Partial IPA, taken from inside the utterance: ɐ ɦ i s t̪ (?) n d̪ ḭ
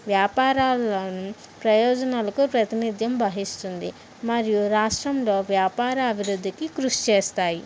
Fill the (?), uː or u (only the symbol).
u